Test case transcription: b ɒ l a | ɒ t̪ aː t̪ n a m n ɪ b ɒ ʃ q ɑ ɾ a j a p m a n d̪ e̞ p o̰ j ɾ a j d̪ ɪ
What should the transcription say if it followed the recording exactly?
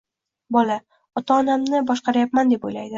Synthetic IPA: b ɒ l a | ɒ t̪ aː n a m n ɪ b ɒ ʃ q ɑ ɾ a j a p m a n d̪ e̞ p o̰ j l a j d̪ ɪ